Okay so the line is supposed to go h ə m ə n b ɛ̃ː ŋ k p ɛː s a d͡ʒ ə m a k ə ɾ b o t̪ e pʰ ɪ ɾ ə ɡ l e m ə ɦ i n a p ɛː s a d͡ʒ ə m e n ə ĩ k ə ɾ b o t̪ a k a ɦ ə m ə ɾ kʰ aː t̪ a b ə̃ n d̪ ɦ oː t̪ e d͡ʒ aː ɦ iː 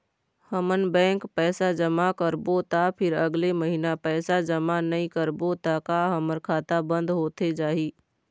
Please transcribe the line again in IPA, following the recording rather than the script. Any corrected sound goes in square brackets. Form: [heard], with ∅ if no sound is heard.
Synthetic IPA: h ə m ə n b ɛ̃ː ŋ k p ɛː s a d͡ʒ ə m a k ə ɾ b o t̪ [a] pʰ ɪ ɾ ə ɡ l e m ə ɦ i n a p ɛː s a d͡ʒ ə m [a] n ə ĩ k ə ɾ b o t̪ a k a ɦ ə m ə ɾ kʰ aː t̪ a b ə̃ n d̪ ɦ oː t̪ e d͡ʒ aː ɦ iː